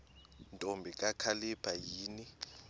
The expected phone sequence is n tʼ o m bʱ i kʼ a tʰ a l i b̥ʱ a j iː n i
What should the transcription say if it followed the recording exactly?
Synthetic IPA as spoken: n tʼ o m bʱ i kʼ a kʰ a l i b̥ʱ a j iː n i